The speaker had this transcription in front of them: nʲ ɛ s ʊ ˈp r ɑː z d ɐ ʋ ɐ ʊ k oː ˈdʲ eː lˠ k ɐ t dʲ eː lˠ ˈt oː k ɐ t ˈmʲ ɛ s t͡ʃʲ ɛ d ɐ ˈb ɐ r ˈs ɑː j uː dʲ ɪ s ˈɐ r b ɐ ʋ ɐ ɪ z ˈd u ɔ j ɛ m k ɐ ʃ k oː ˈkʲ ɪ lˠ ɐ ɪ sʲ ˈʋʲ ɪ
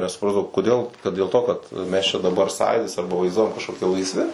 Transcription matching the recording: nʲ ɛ s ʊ ˈp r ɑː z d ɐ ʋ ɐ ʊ k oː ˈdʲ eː lˠ k ɐ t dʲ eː lˠ ˈt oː k ɐ t ˈmʲ ɛ s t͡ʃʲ ɛ d ɐ ˈb ɐ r ˈs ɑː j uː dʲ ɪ s ˈɐ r b ɐ ʋ ɐ ɪ z ˈd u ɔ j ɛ m k ɐ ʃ k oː ˈkʲ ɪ lˠ ɐ ɪ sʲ ˈʋʲ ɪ